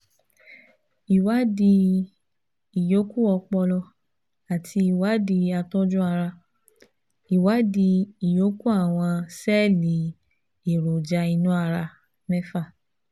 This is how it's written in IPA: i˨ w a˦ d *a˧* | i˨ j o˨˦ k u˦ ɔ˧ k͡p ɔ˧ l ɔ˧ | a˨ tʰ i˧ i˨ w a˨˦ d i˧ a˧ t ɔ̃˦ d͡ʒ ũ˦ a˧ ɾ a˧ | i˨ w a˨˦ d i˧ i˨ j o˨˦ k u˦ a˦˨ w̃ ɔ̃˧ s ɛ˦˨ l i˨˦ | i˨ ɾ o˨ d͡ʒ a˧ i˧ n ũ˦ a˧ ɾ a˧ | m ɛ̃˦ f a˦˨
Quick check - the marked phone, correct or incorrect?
incorrect: i˧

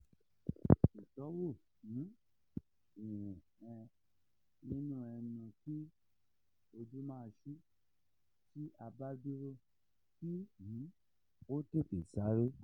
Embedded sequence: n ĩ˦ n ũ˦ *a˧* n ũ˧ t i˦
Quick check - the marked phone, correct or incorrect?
incorrect: ɛ˧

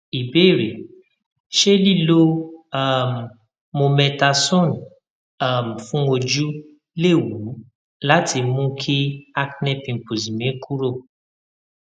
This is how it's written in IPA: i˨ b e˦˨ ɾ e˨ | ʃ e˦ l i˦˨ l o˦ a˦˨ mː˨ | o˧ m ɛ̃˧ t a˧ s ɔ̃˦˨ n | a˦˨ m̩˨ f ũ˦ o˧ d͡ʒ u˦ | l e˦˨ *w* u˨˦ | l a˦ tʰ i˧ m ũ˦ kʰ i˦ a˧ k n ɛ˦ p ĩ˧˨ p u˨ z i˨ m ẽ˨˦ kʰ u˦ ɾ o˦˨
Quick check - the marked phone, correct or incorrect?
correct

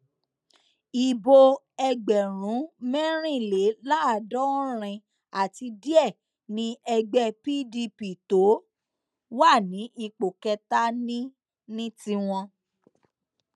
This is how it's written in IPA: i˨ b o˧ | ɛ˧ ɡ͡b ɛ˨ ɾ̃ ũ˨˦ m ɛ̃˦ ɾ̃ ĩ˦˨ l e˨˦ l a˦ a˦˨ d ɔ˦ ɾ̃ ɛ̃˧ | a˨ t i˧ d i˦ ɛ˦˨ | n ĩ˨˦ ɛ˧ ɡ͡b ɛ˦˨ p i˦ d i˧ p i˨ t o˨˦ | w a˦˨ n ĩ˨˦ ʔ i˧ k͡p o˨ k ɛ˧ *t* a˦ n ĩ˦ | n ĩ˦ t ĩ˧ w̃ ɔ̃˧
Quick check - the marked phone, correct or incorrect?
correct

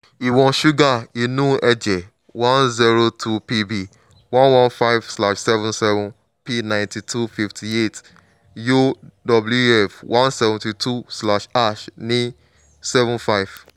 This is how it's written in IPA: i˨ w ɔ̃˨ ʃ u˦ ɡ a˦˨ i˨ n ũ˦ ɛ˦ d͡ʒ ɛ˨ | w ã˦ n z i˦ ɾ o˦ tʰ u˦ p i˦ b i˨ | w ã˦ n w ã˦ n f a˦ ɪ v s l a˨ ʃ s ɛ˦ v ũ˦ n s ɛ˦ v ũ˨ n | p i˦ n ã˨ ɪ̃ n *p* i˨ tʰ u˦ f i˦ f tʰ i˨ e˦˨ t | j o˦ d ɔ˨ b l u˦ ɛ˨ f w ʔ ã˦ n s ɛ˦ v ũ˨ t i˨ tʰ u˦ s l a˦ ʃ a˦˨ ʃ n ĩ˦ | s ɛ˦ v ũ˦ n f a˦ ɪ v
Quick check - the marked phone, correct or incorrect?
incorrect: t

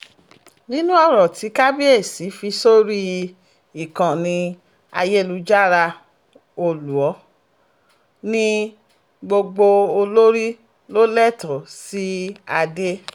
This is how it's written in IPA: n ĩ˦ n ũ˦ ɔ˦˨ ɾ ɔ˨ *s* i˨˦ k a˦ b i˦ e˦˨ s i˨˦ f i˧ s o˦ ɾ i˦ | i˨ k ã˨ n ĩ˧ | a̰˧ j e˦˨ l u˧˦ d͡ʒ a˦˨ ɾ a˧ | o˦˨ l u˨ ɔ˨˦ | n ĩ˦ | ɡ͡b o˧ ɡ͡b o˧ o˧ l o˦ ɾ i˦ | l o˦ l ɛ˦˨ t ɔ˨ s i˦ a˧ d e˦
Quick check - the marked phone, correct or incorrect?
incorrect: t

